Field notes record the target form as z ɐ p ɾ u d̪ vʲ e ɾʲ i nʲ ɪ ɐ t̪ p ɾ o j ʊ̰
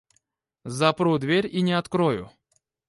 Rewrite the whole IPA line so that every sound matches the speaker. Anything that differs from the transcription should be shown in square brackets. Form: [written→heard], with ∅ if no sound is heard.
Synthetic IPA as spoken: z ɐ p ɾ u d̪ vʲ e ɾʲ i nʲ ɪ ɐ t̪ [p→k] ɾ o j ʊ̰